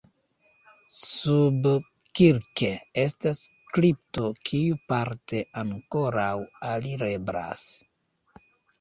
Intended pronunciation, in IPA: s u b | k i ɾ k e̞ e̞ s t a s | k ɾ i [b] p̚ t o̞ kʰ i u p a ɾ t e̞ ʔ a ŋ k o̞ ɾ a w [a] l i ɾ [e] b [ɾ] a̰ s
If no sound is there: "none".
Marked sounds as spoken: none, a, e, ɾ

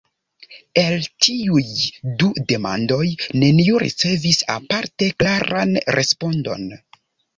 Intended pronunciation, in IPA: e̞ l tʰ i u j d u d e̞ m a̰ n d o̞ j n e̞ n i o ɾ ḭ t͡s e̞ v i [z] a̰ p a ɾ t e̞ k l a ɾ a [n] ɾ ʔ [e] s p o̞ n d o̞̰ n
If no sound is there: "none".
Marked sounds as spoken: s, n, e

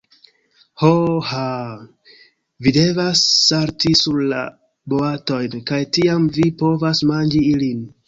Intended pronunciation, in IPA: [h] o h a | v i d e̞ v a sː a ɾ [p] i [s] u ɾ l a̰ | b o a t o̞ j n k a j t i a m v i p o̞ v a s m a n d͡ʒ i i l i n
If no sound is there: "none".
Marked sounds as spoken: h, t, s

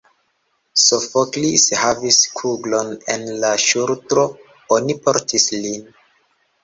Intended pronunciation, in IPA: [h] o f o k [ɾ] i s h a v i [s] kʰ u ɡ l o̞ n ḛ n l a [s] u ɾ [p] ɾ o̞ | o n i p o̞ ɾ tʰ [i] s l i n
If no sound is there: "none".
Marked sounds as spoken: s, l, s, ʃ, t, i

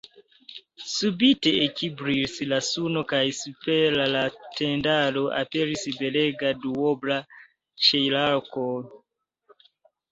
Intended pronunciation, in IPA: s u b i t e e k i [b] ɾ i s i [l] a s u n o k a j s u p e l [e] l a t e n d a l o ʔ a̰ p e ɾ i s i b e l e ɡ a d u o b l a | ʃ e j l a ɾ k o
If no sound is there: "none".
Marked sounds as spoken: b, l, a

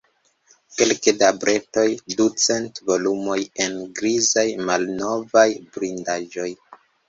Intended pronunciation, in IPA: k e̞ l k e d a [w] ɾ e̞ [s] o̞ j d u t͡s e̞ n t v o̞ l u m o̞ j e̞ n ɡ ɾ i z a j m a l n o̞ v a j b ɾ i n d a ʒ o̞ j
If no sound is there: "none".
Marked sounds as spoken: b, t

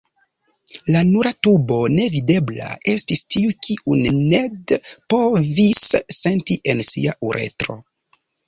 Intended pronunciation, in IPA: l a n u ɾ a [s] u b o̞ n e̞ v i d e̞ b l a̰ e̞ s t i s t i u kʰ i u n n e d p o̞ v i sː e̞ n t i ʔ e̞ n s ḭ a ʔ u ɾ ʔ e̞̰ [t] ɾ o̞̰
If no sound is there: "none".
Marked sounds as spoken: t, t

